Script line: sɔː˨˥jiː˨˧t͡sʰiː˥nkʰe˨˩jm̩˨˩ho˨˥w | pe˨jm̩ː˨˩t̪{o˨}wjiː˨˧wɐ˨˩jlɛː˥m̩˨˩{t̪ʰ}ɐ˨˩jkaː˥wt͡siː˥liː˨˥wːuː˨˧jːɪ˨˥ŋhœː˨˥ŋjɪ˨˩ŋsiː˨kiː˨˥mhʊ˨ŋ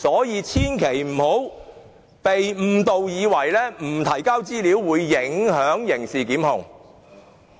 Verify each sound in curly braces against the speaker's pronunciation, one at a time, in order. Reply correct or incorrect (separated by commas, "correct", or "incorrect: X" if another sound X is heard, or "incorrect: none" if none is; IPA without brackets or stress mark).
correct, correct